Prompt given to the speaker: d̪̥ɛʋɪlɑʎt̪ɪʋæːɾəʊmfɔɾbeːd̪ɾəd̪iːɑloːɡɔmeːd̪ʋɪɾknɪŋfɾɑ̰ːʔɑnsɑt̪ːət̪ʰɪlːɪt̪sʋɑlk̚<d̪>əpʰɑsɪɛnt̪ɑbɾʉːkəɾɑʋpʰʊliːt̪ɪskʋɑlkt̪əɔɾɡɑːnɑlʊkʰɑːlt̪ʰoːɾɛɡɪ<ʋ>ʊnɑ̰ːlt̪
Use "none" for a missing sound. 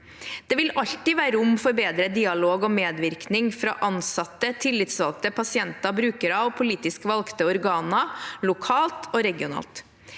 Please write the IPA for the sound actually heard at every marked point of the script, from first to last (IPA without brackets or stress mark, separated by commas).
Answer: t̪, none